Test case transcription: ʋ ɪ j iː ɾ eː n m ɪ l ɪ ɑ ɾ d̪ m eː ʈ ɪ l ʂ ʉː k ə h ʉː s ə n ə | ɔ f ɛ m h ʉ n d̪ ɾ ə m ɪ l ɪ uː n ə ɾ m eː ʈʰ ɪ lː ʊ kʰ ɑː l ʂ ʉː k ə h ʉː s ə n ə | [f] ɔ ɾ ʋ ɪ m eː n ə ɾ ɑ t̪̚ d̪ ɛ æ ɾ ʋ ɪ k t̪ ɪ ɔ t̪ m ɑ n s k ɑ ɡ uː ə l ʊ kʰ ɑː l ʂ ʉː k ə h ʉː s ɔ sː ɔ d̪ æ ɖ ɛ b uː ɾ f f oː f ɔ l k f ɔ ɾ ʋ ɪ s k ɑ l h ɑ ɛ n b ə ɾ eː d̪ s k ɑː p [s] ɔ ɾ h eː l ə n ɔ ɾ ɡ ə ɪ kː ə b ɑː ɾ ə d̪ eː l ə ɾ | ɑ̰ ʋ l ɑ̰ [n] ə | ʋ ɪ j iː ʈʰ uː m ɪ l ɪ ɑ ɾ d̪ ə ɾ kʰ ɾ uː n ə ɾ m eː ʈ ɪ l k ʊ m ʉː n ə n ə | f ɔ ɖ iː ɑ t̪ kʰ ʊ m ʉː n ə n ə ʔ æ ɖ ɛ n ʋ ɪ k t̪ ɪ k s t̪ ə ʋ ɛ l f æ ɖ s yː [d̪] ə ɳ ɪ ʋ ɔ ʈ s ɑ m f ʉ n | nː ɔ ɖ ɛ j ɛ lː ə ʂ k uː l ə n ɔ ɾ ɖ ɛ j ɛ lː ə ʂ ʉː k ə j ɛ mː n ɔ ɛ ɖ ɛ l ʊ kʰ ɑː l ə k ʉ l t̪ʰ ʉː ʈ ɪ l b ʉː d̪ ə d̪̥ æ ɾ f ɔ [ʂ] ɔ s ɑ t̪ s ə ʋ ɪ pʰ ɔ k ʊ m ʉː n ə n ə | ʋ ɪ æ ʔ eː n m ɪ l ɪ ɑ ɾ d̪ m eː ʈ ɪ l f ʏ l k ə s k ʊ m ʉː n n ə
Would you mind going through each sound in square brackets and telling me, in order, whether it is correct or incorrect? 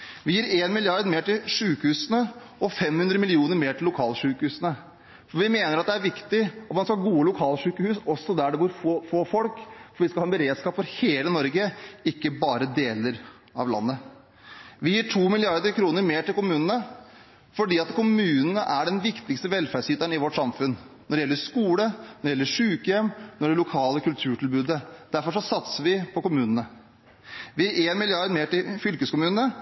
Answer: correct, incorrect: f, incorrect: nː, incorrect: t̪, correct

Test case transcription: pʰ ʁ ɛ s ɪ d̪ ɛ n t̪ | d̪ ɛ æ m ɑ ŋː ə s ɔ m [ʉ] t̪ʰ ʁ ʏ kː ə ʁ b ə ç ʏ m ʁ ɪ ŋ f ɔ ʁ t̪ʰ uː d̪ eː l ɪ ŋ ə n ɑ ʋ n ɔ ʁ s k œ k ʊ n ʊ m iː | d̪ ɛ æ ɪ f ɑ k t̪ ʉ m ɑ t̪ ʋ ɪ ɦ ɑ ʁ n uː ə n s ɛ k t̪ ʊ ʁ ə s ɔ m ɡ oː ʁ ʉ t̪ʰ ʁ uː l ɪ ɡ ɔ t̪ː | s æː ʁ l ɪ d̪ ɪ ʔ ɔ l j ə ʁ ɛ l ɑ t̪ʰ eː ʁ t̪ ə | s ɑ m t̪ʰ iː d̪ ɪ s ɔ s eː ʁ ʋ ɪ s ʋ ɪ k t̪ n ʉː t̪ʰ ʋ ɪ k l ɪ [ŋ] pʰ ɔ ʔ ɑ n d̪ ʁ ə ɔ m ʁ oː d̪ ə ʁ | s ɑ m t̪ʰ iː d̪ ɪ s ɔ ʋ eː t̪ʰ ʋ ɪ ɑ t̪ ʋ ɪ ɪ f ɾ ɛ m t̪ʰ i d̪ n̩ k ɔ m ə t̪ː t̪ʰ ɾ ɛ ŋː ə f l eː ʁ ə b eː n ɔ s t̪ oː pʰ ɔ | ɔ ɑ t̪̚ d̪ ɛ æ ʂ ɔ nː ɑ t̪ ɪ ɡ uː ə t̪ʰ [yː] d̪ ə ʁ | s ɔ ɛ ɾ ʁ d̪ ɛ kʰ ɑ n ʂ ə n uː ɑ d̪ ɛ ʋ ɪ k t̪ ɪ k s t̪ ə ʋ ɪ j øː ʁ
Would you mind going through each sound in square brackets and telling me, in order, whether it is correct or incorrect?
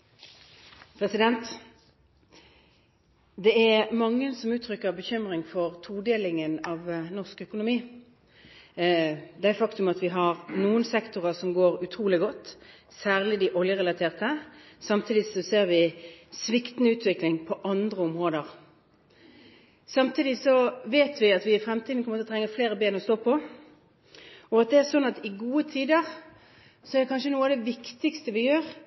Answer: incorrect: ʉː, correct, incorrect: iː

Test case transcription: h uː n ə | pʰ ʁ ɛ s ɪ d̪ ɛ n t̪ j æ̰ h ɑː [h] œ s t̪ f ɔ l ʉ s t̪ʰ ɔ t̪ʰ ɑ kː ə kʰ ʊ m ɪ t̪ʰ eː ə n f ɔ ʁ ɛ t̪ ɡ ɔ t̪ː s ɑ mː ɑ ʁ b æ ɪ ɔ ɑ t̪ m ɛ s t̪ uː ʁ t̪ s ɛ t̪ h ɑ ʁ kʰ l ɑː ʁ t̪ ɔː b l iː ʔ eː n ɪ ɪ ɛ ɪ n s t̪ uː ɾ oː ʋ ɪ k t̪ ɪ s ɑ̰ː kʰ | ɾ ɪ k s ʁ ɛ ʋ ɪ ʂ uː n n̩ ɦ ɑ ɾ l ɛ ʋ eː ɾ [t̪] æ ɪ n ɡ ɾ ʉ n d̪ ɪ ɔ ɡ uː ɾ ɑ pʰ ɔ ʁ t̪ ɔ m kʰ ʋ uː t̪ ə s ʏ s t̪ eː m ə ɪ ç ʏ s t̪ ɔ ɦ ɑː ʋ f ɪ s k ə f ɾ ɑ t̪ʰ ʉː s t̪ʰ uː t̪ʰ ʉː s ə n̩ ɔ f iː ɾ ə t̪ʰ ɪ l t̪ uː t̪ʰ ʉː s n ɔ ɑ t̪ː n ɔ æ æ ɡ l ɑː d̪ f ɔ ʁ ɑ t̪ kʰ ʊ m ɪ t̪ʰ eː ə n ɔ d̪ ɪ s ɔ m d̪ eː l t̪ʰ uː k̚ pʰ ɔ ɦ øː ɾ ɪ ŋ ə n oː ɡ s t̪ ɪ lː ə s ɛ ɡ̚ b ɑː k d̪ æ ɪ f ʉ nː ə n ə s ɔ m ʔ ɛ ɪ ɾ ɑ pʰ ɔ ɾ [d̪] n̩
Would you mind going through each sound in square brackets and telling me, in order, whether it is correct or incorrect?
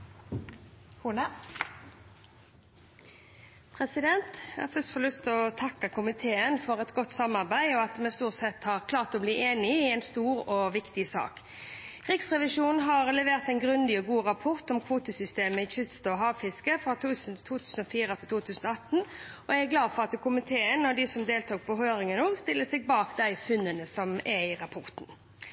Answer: incorrect: f, correct, incorrect: t̪

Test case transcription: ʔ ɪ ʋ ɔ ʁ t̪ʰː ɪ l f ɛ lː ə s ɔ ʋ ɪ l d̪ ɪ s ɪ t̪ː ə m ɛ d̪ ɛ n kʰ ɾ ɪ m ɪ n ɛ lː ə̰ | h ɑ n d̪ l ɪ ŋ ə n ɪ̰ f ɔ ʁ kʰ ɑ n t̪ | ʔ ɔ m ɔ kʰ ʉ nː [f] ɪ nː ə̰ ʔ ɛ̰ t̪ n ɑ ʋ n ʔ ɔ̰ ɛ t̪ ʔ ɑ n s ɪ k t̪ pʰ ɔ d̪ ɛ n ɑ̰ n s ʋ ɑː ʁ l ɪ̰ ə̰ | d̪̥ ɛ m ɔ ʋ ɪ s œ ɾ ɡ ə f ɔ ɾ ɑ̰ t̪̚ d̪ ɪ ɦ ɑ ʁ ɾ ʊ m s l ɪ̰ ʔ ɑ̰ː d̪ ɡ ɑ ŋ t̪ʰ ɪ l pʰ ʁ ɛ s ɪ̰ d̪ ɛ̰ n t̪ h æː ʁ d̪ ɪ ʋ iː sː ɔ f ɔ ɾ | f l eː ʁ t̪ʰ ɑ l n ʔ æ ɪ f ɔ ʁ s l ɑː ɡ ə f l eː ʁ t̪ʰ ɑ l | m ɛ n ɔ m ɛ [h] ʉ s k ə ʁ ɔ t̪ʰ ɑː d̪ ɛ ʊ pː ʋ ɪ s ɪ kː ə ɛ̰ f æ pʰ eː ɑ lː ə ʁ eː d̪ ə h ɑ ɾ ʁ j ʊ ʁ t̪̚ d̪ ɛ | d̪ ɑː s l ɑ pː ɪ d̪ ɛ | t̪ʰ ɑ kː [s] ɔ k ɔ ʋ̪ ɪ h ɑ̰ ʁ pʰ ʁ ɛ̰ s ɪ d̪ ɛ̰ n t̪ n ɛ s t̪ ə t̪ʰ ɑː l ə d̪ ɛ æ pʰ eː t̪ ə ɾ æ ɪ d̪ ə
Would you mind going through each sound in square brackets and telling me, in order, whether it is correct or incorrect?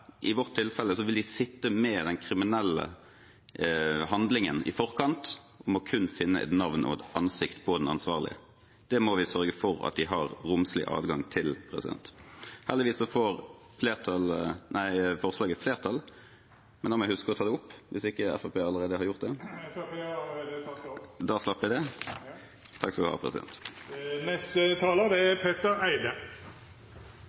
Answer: correct, correct, correct

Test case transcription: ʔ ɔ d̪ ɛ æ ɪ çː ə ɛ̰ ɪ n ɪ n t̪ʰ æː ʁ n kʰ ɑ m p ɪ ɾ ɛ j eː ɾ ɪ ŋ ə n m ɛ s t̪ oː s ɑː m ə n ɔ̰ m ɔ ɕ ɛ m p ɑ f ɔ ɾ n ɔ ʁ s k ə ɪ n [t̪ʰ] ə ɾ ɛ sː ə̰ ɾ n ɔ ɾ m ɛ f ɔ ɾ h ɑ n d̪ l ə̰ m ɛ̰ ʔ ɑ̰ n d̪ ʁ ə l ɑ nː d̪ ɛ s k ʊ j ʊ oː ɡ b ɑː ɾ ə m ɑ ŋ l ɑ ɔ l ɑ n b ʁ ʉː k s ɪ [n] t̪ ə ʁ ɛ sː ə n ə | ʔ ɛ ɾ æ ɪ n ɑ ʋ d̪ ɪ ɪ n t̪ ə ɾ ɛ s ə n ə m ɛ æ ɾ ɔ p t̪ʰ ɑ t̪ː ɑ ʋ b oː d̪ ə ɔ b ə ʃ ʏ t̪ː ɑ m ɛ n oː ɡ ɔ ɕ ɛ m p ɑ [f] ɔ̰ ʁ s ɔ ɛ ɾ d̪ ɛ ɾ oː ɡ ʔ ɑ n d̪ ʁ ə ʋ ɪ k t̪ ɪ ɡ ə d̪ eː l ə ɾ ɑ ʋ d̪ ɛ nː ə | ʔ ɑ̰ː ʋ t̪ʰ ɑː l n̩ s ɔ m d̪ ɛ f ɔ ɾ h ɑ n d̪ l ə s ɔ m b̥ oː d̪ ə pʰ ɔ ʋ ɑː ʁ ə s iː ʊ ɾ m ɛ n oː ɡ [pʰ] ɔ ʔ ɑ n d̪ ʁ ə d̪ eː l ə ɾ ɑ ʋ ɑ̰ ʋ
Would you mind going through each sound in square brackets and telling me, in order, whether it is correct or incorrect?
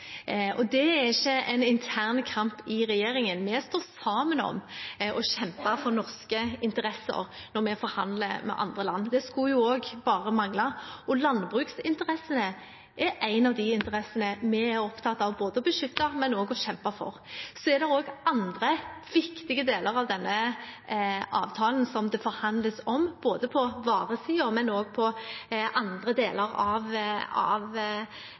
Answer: incorrect: t̪, correct, correct, correct

